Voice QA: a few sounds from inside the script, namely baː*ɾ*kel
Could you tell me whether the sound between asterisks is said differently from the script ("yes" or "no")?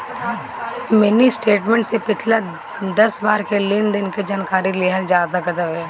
no